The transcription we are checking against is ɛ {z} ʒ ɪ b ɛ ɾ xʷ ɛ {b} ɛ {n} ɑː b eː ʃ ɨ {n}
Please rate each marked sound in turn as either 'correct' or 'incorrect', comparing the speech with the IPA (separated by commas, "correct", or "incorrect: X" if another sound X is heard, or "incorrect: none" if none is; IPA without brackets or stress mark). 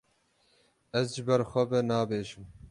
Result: correct, correct, correct, incorrect: m